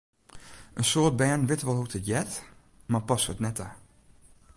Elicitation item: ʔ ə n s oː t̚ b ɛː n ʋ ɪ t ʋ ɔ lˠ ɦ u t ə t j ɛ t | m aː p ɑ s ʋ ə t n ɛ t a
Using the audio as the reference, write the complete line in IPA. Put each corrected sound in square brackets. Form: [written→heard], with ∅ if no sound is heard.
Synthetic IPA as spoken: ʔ ə n s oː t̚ b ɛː n ʋ ɪ t ʋ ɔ lˠ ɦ u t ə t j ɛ t | m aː p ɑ s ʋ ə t n ɛ t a

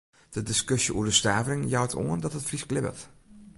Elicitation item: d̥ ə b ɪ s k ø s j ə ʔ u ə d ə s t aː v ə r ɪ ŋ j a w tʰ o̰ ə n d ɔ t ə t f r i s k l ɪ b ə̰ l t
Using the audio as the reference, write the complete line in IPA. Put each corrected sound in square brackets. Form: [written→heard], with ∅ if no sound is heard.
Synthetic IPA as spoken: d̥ ə [b→d] ɪ s k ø s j ə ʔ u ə d ə s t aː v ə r ɪ ŋ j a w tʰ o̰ ə n d ɔ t ə t f r i s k l ɪ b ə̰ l t

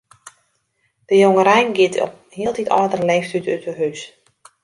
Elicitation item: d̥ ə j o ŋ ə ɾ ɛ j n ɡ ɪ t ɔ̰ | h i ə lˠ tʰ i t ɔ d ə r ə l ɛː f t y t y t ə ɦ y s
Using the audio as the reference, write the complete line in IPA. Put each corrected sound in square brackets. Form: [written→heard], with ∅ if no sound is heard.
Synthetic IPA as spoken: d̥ ə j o ŋ ə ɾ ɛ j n ɡ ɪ t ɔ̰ | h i ə lˠ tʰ i t ɔ d ə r ə l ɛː f t y t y t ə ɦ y s

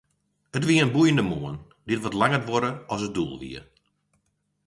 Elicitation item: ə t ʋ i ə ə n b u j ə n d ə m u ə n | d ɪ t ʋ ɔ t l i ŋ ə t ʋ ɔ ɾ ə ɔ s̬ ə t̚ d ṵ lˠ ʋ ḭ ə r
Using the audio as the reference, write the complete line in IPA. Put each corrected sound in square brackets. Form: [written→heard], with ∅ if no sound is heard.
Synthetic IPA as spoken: ə t ʋ i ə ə n b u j ə n d ə m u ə n | d ɪ t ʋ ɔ t l [i→a] ŋ ə t ʋ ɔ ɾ ə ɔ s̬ ə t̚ d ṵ lˠ ʋ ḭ ə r

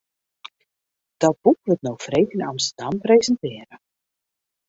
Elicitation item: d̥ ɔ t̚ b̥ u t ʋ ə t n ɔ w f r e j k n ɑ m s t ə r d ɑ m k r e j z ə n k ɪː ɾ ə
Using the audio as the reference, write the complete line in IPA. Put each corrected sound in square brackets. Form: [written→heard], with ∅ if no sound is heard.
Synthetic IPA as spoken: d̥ ɔ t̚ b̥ u [t→k] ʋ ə t n [ɔ→o] w f r e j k n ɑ m s t ə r d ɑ m [k→p] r e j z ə n [k→t] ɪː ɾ ə

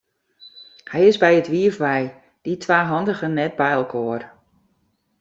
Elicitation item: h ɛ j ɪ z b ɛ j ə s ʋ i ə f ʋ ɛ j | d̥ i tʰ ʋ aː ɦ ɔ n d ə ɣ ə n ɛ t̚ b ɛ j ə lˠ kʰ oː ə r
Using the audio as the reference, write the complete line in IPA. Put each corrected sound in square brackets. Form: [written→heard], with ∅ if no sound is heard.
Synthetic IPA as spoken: h ɛ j ɪ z b ɛ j ə [s→t] ʋ i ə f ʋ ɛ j | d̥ i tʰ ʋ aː ɦ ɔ n d ə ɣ ə n ɛ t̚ b ɛ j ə lˠ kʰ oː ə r

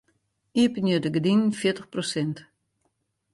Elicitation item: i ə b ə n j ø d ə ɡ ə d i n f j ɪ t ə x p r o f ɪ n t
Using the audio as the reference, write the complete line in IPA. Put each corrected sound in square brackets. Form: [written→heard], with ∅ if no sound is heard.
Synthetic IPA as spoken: i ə [b→p] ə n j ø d ə ɡ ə d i n f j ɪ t ə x p r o [f→s] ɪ n t

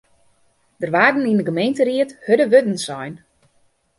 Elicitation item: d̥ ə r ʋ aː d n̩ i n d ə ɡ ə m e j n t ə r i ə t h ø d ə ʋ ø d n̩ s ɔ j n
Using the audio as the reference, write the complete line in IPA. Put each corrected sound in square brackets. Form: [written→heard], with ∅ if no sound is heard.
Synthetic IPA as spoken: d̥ ə r ʋ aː d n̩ i n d ə ɡ ə m e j n t ə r i ə t h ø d ə ʋ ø d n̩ s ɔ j n

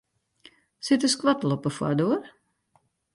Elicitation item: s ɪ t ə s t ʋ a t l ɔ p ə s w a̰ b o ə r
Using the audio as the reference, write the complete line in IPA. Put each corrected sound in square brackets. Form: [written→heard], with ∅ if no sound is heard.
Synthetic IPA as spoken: s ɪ t ə s [t→k] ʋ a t l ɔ p ə [s→f] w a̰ [b→d] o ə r

